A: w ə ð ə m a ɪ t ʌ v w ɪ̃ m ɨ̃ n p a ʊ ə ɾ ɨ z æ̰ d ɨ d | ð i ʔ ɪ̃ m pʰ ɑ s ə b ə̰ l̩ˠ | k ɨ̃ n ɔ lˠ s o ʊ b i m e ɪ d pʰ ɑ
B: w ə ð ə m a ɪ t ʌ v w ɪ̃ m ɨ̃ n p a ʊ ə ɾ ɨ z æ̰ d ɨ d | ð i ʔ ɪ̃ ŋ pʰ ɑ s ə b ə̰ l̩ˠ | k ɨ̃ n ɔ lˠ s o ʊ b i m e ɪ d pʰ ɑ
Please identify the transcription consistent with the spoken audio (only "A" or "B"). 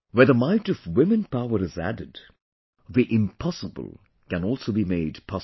A